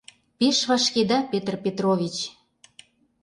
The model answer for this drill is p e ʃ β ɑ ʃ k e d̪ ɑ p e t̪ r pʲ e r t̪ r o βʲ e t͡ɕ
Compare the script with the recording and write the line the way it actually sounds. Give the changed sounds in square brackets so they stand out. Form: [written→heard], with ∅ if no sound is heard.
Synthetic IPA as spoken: p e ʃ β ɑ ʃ k e d̪ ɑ p e t̪ r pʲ e [r→∅] t̪ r o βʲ [e→i] t͡ɕ